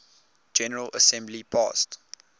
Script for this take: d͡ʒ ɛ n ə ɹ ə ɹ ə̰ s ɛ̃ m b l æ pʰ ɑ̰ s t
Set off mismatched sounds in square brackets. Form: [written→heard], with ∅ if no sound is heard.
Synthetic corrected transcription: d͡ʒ ɛ n ə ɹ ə [ɹ→l] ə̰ s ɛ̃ m b l [æ→i] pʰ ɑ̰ s t

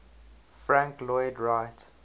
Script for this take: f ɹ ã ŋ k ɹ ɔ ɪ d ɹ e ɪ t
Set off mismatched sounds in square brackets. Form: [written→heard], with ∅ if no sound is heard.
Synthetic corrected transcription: f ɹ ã ŋ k [ɹ→l] ɔ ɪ d ɹ [e→a] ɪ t

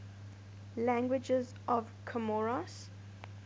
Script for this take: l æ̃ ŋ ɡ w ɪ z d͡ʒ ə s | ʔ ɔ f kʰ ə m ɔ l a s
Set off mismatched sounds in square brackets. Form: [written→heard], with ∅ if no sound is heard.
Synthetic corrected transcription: l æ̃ ŋ ɡ w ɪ [z→∅] d͡ʒ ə [s→z] | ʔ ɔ [f→v] kʰ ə m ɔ [l→ɹ] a s

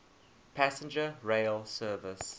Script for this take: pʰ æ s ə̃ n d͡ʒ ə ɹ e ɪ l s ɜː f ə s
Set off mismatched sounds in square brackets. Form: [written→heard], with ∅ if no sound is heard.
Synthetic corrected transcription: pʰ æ s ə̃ n d͡ʒ ə ɹ e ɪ l s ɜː [f→v] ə s

